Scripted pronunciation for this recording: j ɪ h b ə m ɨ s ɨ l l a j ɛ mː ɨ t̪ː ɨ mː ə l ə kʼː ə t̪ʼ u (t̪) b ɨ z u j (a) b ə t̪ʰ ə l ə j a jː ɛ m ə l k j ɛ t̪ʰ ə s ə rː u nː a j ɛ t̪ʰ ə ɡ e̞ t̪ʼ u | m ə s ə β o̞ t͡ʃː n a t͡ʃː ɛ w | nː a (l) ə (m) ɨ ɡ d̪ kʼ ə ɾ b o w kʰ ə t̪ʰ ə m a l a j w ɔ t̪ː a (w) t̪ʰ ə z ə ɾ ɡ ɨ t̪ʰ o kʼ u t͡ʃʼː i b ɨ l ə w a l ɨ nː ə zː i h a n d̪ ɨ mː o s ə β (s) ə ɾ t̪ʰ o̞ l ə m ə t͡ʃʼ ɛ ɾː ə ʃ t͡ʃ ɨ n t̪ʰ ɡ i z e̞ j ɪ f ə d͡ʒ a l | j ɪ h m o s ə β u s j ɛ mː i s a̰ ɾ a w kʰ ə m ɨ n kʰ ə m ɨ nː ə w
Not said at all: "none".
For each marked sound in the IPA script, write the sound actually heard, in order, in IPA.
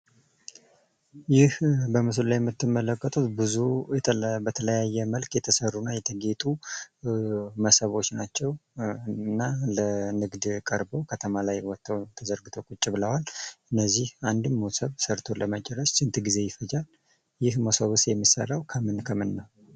t̪, ɛ, l, n, w, s

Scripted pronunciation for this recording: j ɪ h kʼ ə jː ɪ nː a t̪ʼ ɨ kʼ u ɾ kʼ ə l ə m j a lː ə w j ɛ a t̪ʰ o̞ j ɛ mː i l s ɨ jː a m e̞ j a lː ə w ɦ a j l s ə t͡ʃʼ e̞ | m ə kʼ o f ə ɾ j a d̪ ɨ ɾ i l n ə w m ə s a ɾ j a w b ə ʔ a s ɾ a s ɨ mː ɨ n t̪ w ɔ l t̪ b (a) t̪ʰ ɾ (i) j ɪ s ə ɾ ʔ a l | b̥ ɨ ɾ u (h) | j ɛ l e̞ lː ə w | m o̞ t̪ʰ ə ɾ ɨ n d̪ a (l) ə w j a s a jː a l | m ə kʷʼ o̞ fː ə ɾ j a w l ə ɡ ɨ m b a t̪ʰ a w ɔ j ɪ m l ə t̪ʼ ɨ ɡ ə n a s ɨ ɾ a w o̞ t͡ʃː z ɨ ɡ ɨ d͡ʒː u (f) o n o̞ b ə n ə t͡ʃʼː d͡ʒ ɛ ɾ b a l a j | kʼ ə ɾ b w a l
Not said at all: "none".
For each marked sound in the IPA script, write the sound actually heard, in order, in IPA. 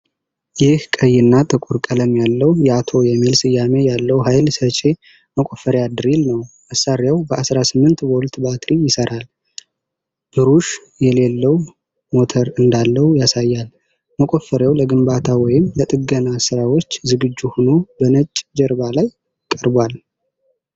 a, i, ʃ, lː, h

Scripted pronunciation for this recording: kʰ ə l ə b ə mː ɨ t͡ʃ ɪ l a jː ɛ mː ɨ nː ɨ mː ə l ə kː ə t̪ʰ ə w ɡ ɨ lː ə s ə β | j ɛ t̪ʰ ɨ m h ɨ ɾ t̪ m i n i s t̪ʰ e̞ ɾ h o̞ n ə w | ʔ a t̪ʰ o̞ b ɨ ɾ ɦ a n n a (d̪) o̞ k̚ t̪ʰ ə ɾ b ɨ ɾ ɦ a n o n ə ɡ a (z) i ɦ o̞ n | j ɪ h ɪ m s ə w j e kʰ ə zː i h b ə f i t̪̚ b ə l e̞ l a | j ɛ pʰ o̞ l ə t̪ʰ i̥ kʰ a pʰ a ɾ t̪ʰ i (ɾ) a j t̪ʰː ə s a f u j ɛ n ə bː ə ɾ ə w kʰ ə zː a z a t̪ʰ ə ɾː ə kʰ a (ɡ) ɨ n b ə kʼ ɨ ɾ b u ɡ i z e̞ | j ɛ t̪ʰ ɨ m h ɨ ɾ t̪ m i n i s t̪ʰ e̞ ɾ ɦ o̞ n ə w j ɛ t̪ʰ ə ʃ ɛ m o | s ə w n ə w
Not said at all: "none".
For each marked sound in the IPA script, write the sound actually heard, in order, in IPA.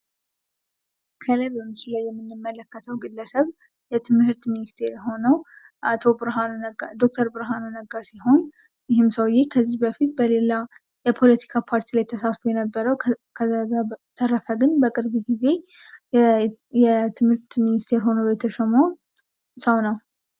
d̪, s, l, ɡ

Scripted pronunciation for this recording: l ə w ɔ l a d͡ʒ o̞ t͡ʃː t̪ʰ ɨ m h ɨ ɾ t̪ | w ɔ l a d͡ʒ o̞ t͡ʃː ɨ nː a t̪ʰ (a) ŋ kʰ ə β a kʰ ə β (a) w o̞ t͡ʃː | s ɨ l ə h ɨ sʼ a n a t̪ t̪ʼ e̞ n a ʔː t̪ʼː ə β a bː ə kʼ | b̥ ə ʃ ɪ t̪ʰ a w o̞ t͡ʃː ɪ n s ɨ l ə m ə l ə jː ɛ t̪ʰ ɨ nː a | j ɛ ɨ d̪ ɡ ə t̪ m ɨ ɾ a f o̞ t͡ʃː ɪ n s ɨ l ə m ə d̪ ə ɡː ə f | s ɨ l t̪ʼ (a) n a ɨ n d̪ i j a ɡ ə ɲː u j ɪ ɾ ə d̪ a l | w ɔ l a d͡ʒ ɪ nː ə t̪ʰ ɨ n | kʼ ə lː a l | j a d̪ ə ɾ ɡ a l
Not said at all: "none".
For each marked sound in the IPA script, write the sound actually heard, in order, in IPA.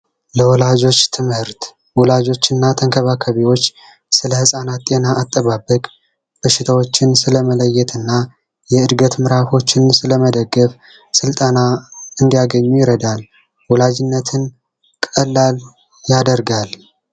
ə, i, ə

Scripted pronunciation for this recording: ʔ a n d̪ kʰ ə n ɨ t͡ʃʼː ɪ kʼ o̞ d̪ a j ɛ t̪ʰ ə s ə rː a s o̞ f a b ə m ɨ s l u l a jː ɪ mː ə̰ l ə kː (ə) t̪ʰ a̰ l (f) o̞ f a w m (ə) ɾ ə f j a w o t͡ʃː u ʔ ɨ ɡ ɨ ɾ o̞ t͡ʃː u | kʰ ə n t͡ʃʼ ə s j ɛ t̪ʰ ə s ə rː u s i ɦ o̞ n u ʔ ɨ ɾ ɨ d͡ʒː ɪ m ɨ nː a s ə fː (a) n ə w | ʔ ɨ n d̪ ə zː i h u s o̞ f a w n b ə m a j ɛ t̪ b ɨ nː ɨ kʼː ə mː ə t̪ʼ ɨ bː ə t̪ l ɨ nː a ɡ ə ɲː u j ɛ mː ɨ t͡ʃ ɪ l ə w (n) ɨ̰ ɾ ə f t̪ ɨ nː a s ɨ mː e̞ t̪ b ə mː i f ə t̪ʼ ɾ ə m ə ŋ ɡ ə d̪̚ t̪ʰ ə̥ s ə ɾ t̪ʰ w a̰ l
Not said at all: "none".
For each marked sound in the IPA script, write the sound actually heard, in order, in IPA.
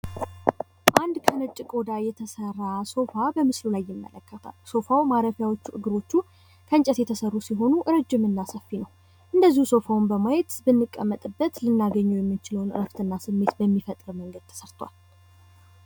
ə, s, a, i, n

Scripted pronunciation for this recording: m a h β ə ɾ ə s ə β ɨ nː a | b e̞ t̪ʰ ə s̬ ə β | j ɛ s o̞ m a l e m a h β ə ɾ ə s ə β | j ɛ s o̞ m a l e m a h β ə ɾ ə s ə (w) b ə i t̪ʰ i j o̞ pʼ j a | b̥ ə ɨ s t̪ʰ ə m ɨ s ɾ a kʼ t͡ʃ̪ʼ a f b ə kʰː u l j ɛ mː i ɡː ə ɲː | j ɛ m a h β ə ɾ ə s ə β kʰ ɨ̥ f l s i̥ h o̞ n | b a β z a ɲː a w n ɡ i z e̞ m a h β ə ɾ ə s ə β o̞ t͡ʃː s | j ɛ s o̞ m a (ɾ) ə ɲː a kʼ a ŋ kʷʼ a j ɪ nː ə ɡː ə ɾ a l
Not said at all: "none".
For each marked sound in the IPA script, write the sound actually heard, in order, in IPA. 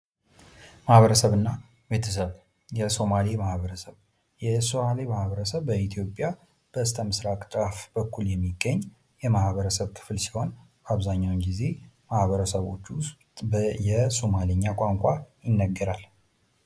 β, l

